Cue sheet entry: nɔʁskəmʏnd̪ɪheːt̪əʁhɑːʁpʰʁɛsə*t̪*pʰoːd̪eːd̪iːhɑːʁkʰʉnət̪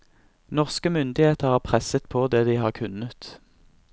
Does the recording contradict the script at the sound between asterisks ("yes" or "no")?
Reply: no